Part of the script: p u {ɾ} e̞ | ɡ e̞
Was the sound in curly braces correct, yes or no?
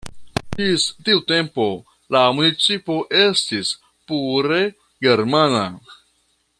yes